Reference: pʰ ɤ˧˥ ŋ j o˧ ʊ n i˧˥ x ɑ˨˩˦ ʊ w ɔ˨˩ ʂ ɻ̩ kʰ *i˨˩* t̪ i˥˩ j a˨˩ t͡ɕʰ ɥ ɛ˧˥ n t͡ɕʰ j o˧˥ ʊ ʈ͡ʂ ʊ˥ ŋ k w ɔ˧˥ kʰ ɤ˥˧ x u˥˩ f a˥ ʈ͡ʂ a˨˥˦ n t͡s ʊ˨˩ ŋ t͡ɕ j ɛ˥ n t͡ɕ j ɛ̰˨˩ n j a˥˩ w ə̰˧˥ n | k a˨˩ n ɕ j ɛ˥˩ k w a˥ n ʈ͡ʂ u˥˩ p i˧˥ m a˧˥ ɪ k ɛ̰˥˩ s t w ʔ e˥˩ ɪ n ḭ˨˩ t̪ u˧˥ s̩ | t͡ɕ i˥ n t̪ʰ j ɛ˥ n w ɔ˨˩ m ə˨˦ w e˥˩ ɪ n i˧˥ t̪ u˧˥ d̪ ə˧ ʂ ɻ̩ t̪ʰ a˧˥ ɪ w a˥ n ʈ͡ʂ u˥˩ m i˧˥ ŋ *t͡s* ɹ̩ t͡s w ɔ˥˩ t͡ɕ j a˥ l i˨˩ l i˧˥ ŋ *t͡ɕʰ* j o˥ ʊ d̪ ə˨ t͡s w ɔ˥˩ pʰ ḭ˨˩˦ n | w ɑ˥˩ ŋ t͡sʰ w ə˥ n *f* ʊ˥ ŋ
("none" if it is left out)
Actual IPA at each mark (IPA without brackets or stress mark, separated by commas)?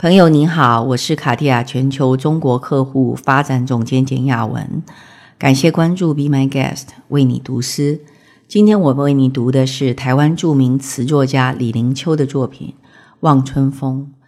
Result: a˨˩, t͡sʰ, t͡ɕʰ, f